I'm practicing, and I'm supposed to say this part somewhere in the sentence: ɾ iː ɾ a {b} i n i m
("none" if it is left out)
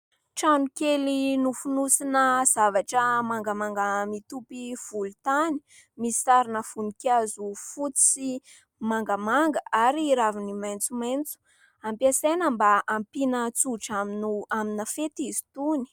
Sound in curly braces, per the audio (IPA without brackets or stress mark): v